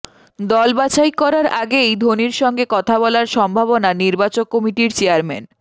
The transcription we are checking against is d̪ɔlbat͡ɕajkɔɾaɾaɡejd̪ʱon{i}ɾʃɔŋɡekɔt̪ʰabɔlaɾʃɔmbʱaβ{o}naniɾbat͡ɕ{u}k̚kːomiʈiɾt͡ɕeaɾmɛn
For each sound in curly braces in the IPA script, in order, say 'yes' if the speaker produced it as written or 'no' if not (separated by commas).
yes, yes, no